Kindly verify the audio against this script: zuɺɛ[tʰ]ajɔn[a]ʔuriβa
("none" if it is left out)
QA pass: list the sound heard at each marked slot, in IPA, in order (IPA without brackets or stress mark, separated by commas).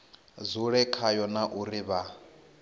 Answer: kʰ, a